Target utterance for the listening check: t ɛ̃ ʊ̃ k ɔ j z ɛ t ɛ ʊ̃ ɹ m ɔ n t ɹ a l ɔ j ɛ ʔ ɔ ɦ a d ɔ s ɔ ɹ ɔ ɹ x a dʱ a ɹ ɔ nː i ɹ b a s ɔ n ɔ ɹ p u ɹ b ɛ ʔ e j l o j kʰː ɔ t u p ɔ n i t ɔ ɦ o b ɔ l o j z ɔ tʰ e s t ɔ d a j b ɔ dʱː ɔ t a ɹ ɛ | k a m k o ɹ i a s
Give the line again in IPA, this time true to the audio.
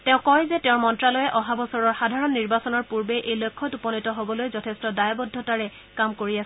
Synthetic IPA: t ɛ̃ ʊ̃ k ɔ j z ɛ t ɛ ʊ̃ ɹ m ɔ n t ɹ a l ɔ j ɛ ʔ ɔ ɦ a b ɔ s ɔ ɹ ɔ ɹ x a dʱ a ɹ ɔ nː i ɹ b a s ɔ n ɔ ɹ p u ɹ b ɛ ʔ e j l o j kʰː ɔ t u p ɔ n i t ɔ ɦ o b ɔ l o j z ɔ tʰ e s t ɔ d a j b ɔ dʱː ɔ t a ɹ ɛ | k a m k o ɹ i a s